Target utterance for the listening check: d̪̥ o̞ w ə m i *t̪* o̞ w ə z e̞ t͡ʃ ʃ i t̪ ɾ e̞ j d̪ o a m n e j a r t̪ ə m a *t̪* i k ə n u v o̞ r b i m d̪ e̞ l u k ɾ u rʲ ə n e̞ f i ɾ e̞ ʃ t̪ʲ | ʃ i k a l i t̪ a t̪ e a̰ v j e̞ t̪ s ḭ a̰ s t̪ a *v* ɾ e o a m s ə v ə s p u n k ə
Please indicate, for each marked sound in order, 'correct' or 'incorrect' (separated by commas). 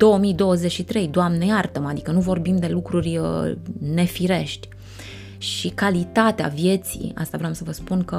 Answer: incorrect, incorrect, correct